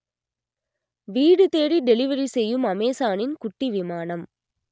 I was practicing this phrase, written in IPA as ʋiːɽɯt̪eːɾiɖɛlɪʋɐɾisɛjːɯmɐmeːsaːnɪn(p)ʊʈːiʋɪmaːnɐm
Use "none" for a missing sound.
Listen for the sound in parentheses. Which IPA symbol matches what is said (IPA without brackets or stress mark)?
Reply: k